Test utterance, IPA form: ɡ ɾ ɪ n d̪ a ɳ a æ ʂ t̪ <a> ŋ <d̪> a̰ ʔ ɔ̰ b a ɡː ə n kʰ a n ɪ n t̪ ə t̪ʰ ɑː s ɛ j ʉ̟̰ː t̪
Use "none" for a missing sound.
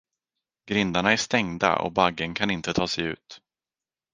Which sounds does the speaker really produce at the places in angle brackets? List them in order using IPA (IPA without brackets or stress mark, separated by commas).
ɛ, d̪